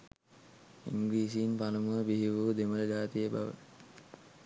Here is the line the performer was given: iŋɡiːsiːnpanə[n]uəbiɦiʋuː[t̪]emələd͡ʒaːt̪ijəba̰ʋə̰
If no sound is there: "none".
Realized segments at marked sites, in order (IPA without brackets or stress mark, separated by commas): m, d̪